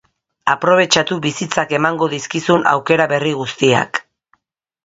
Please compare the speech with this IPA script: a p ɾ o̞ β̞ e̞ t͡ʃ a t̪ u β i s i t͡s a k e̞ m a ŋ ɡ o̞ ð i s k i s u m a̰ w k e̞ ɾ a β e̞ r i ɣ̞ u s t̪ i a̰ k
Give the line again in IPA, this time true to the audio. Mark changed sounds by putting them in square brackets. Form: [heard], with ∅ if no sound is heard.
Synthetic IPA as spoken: a p ɾ o̞ β̞ e̞ t͡ʃ a t̪ u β i s i t͡s a k e̞ m a ŋ ɡ o̞ ð i s k i s u [n] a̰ w k e̞ ɾ a β e̞ r i ɣ̞ u s t̪ i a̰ k